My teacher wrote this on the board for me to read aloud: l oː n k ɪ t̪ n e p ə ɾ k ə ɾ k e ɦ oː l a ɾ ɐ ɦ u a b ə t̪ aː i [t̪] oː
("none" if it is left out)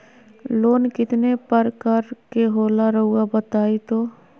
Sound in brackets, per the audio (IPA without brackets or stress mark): t̪